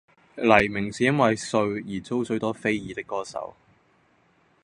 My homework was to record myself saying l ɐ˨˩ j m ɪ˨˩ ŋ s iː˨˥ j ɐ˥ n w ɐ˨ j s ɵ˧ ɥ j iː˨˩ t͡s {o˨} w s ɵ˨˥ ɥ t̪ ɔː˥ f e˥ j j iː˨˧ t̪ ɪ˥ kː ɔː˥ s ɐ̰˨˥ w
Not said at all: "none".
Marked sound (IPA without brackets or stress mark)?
o˥